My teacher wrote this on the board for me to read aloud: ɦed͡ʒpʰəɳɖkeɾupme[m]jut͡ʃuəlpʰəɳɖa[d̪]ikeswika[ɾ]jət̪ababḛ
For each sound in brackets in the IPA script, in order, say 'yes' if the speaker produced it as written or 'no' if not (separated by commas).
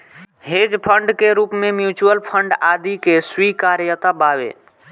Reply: yes, yes, yes